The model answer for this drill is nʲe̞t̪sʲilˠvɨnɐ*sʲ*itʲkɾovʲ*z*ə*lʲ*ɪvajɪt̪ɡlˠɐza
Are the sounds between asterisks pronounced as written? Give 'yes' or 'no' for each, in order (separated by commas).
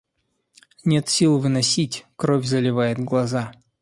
yes, yes, yes